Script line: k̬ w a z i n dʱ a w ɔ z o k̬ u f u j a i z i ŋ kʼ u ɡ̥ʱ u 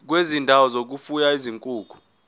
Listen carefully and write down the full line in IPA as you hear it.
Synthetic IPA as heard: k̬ w e z i n dʱ a w ɔ z o k̬ u f u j a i z i ŋ kʼ uː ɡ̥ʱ u